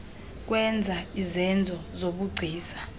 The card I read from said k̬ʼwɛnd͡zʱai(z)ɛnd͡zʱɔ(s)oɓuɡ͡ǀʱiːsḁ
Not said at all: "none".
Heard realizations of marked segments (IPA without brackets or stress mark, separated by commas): z, z